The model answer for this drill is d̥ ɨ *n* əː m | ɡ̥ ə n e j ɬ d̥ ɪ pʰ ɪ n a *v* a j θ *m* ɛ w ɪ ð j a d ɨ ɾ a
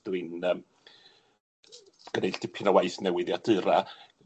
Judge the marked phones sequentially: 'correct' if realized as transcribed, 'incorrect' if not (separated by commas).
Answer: correct, incorrect, incorrect